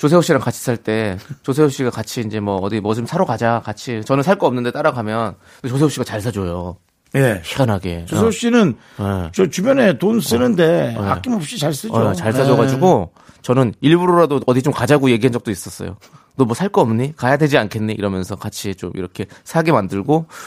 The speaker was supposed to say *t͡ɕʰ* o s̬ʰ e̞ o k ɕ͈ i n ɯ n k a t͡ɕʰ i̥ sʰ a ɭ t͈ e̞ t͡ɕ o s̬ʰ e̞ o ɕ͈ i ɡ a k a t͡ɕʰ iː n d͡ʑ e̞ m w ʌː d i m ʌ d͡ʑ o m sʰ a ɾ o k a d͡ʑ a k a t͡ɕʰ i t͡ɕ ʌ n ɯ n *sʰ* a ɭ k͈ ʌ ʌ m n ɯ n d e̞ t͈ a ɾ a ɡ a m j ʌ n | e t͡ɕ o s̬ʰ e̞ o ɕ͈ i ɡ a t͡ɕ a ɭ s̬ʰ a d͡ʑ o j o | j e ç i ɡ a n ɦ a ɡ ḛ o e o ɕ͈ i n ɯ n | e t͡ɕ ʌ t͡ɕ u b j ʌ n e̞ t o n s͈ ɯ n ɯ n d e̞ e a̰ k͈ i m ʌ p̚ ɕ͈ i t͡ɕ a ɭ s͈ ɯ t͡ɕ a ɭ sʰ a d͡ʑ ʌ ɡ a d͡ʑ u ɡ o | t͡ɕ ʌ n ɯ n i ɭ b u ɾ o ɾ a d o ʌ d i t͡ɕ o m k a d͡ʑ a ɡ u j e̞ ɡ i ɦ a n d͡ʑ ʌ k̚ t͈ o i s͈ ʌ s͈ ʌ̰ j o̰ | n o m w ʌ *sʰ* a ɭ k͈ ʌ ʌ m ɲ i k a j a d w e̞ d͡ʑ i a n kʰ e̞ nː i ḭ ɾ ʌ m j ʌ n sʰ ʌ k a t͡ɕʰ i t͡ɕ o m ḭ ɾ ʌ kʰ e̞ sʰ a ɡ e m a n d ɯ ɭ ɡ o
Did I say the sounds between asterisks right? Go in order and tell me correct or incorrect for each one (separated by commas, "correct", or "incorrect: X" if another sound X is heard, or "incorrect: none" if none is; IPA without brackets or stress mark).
incorrect: t͡ɕ, correct, correct